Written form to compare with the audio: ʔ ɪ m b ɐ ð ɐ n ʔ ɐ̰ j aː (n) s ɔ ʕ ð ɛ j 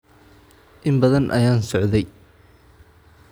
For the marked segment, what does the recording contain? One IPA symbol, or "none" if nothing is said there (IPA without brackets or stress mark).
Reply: n